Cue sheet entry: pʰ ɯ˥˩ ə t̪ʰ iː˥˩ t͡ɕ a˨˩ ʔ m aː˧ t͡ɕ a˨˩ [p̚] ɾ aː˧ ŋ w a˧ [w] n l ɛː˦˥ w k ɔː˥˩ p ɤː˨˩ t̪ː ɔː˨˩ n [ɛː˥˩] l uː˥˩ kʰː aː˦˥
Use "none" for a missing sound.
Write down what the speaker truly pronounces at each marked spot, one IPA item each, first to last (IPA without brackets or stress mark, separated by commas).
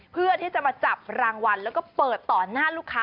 p̚, none, aː˥˩